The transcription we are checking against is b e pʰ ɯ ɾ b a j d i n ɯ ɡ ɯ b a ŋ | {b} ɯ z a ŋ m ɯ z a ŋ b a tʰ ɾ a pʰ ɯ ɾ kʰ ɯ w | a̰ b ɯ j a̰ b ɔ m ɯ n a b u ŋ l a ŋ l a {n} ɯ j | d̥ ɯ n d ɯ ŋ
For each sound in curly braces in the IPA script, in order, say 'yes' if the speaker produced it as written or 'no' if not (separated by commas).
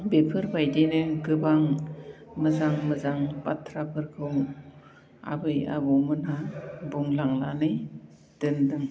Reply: no, yes